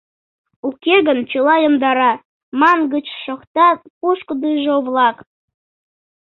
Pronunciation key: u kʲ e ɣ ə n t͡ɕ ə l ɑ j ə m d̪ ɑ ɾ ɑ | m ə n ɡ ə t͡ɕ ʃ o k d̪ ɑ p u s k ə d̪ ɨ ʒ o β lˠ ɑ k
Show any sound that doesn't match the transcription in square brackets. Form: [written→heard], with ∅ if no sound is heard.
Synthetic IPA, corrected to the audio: u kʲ e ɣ ə n t͡ɕ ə l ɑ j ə m d̪ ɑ ɾ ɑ | m [ə→ɑ] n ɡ ə t͡ɕ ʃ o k [d̪→t̪] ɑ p u [s→ʃ] k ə d̪ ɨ ʒ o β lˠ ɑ k